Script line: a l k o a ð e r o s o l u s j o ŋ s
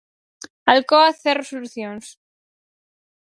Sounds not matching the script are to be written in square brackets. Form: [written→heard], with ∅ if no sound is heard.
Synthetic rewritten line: a l k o a [ð→θ] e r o s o l u [s→θ] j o [ŋ→n] s